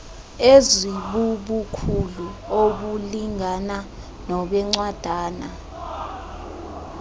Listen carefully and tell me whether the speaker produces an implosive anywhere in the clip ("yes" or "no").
yes